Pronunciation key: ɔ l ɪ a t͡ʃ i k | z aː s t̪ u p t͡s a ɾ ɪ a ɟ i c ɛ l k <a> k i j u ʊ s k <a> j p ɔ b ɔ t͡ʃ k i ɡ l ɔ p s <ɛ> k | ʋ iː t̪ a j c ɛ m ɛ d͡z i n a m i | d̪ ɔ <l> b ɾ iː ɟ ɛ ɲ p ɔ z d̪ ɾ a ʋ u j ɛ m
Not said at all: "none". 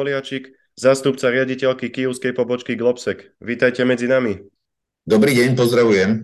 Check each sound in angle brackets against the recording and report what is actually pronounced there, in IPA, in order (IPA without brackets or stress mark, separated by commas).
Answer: i, ɛ, ɛ, none